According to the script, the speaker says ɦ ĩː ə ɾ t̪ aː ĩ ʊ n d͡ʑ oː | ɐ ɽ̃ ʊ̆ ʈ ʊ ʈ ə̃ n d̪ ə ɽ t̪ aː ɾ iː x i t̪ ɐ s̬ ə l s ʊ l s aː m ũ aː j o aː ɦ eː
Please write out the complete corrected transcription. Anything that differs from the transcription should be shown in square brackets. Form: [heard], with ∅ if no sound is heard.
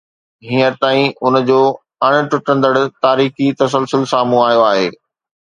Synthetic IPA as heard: ɦ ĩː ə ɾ t̪ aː ĩ ʊ n d͡ʑ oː | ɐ ɽ̃ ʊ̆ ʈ ʊ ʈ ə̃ n d̪ ə ɽ t̪ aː ɾ iː x i t̪ ɐ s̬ ə l s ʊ l s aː m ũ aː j o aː ɦ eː